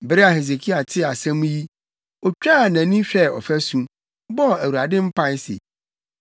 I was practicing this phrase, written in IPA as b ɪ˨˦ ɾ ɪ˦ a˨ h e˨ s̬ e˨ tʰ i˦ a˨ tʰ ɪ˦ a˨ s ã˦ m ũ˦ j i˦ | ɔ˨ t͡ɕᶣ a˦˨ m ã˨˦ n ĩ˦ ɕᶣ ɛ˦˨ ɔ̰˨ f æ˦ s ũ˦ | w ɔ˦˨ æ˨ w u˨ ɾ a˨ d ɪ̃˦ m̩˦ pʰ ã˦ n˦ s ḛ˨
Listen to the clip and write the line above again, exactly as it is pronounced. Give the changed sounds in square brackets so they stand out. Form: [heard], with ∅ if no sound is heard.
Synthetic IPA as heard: b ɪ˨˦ ɾ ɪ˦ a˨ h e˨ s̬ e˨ [kʰ] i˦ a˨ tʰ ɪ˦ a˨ s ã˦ m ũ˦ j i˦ | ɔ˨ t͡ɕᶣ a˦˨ [n] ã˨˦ n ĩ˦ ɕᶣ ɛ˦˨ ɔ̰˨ f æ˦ s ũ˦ | [b] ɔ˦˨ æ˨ w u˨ ɾ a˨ d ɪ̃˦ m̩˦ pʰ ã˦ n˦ s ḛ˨